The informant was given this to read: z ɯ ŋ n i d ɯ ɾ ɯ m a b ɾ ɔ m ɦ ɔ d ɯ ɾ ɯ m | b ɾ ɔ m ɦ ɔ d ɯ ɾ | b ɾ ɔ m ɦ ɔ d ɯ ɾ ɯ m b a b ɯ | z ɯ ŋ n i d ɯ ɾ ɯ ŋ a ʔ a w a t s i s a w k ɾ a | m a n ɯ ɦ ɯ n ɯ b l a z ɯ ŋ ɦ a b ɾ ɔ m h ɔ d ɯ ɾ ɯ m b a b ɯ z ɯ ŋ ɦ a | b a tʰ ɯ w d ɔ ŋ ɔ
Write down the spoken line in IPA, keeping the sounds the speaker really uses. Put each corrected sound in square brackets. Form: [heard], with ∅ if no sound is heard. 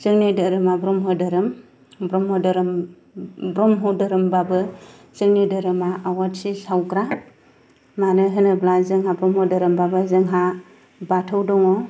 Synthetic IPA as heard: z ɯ ŋ n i d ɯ ɾ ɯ m a b ɾ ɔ m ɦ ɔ d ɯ ɾ ɯ m | b ɾ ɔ m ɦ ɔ d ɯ ɾ | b ɾ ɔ m ɦ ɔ d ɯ ɾ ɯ m b a b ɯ | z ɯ ŋ n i d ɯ ɾ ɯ [m] a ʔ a w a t s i s a w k ɾ a | m a n ɯ ɦ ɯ n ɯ b l a z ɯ ŋ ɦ a b ɾ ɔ m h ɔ d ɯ ɾ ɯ m b a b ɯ z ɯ ŋ ɦ a | b a tʰ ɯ w d ɔ ŋ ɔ